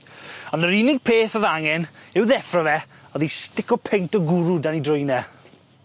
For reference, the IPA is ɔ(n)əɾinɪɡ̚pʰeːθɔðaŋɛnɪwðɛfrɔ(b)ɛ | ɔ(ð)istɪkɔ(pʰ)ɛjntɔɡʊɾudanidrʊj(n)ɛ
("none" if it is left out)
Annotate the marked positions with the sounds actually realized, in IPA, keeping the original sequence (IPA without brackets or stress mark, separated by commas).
n, v, ð, pʰ, n